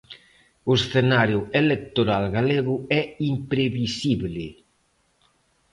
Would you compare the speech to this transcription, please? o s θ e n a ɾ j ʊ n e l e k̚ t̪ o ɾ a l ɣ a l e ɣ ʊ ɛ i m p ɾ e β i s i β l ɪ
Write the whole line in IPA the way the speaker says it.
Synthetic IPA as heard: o s θ e n a ɾ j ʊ e l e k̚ t̪ o ɾ a l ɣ a l e ɣ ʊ ɛ i m p ɾ e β i s i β l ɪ